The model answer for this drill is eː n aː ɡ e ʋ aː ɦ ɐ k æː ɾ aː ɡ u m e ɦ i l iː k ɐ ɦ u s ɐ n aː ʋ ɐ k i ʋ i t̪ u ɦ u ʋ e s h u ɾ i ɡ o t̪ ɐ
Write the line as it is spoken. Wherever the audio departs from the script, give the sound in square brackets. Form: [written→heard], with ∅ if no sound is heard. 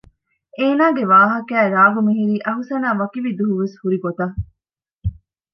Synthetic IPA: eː n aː ɡ e ʋ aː ɦ ɐ k æː ɾ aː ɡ u m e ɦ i [l→ɾ] iː [k→ʔ] ɐ ɦ u s ɐ n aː ʋ ɐ k i ʋ i [t̪→d̪] u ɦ u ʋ e s h u ɾ i ɡ o t̪ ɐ